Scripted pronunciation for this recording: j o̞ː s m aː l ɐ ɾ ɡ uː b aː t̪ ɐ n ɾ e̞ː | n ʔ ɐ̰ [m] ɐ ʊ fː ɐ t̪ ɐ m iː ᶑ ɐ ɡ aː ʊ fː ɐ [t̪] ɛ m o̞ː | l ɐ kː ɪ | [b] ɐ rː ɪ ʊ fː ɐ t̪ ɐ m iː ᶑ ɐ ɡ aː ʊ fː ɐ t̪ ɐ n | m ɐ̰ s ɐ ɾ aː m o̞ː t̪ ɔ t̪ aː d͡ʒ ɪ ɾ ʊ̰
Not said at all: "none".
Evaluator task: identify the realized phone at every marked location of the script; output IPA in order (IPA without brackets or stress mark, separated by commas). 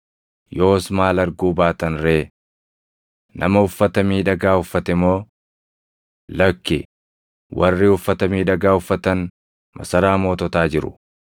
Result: m, t̪, w